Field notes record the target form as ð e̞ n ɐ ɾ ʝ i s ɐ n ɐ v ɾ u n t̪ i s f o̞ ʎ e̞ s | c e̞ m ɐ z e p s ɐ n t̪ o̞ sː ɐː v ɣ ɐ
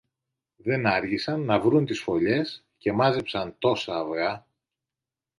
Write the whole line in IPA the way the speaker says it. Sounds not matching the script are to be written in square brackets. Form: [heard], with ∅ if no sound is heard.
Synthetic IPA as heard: ð e̞ n ɐ ɾ ʝ i s ɐ [nː] ɐ v ɾ u n t̪ i s f o̞ ʎ e̞ s | c e̞ m ɐ z e p s ɐ n t̪ o̞ [s] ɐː v ɣ ɐ